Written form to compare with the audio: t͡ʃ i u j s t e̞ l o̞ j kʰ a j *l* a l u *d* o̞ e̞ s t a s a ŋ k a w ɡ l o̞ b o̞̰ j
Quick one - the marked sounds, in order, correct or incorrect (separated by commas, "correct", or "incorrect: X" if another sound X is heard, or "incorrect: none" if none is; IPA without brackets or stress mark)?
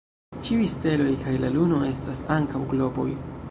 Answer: correct, incorrect: n